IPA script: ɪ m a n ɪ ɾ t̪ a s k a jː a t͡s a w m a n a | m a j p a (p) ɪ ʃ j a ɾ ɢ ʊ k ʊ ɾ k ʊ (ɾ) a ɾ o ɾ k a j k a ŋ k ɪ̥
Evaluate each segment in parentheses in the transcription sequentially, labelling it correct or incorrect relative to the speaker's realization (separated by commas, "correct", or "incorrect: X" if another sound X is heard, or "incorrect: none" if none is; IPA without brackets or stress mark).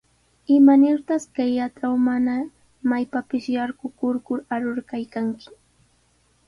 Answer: correct, correct